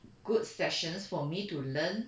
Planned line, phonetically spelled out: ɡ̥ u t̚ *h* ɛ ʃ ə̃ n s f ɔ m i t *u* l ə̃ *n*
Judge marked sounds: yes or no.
no, yes, yes

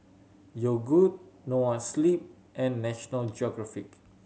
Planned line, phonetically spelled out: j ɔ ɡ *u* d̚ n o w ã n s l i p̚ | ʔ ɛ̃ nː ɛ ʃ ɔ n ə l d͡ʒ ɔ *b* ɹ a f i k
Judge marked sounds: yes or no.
yes, no

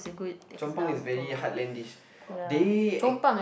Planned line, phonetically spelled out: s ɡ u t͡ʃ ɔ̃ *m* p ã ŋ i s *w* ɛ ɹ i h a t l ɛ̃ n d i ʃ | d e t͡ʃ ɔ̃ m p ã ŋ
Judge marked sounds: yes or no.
yes, no

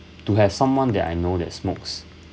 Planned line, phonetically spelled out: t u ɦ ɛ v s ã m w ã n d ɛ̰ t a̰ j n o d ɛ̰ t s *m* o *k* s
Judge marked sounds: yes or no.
yes, yes

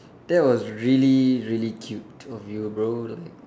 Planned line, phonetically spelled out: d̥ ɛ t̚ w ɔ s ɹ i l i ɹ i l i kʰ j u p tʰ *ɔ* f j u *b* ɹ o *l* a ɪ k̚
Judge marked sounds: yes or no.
yes, yes, yes

